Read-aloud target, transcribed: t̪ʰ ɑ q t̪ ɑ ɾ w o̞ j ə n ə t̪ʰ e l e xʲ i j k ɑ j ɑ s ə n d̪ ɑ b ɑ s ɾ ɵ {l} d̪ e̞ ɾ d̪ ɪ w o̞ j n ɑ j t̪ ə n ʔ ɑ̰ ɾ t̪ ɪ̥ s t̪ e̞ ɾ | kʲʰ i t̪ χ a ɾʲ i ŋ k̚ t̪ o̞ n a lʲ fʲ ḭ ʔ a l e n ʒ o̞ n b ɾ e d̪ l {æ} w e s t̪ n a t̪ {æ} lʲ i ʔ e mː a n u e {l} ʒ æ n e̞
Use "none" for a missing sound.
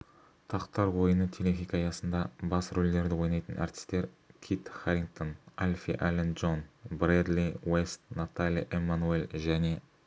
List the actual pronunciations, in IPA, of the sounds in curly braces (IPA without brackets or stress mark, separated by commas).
l, i, a, l